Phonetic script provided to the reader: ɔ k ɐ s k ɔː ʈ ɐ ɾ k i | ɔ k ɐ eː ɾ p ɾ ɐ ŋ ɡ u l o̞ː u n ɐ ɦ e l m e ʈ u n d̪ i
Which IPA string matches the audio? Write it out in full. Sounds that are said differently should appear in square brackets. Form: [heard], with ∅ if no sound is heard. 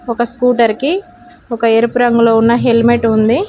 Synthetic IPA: ɔ k ɐ s k [uː] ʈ ɐ ɾ k i | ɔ k ɐ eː ɾ p ɾ ɐ ŋ ɡ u l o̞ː u [nː] ɐ ɦ e l m e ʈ u n d̪ i